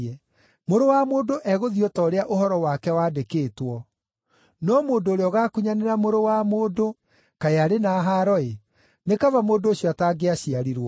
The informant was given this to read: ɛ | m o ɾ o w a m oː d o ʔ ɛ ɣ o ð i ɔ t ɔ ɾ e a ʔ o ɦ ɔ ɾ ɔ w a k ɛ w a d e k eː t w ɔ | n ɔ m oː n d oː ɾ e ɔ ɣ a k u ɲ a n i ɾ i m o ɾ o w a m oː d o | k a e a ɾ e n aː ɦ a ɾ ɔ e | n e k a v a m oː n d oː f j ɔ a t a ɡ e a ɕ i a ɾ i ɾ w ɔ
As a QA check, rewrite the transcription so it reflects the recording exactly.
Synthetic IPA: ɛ | m o ɾ o w a m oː d o ʔ ɛ ɣ o ð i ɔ t ɔ ɾ e a ʔ o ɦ ɔ ɾ ɔ w a k ɛ w a d e k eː t w ɔ | n ɔ m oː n d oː ɾ e ɔ ɣ a k u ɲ a n e ɾ a m o ɾ o w a m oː d o | k a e a ɾ e n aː ɦ a ɾ ɔ e | n e k a v a m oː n d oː ɕ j ɔ a t a ɡ e a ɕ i a ɾ i ɾ w ɔ